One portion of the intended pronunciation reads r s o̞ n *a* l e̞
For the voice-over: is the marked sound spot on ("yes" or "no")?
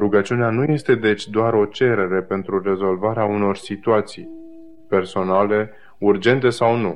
yes